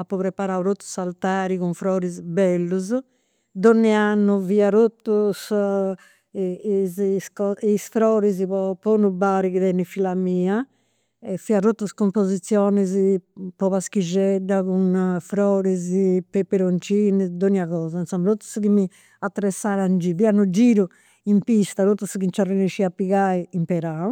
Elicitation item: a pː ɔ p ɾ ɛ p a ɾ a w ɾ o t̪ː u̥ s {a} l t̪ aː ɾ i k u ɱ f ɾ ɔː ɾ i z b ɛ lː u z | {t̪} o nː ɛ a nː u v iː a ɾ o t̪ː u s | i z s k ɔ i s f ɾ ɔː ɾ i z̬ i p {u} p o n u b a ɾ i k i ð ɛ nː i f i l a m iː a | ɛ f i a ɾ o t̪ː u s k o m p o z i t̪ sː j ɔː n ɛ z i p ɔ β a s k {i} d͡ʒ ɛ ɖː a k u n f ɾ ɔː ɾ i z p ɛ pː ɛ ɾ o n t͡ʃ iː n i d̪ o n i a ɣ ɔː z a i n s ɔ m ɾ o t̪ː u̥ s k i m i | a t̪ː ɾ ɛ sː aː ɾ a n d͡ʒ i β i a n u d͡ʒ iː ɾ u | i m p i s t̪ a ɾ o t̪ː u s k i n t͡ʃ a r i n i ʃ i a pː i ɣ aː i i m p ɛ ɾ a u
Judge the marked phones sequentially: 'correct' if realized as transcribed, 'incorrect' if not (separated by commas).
correct, incorrect, incorrect, correct